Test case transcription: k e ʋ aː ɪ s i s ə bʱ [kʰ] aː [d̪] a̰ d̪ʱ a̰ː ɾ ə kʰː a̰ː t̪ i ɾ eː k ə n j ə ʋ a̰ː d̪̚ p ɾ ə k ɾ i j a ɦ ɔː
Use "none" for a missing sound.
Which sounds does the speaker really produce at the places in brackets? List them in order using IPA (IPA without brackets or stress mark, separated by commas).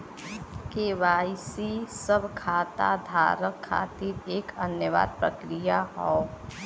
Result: kʰ, t̪